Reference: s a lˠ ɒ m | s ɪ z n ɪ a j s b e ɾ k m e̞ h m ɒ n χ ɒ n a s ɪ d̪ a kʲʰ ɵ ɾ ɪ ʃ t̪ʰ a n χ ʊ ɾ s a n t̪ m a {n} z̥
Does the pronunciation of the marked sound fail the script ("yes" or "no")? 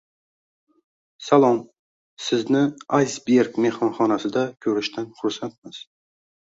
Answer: yes